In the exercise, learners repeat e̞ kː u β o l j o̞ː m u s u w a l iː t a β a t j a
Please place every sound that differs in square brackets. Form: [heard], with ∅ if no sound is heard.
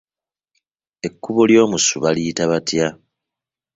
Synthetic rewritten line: e̞ kː u β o l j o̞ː m u s u [β] a l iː t a β a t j a